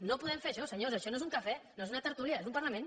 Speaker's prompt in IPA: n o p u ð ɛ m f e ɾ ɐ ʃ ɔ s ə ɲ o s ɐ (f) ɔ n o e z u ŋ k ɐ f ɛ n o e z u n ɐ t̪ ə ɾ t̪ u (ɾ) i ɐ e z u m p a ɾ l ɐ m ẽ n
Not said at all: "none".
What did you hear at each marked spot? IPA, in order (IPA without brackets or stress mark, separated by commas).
ʃ, l